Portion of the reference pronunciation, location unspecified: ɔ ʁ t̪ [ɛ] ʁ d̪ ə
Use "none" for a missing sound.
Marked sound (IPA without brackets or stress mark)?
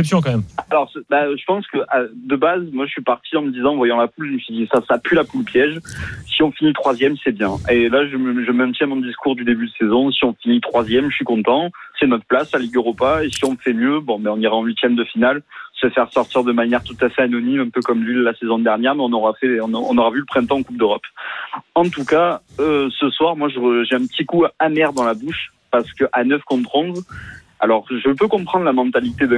i